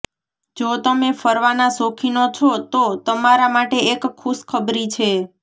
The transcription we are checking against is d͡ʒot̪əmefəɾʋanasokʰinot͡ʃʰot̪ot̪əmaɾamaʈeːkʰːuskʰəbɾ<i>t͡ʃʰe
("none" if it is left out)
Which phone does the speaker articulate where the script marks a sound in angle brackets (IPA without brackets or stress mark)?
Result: i